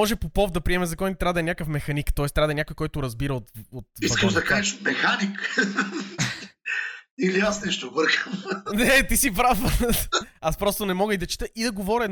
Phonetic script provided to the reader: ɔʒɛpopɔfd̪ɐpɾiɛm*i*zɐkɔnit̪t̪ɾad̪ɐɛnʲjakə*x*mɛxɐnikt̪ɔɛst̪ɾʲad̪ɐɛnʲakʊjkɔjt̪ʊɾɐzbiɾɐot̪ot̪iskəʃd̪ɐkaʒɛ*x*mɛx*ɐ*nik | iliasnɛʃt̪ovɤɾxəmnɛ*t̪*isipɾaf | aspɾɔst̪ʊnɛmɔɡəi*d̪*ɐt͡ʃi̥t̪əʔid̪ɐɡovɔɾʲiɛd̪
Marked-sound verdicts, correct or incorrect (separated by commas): incorrect, incorrect, incorrect, incorrect, correct, correct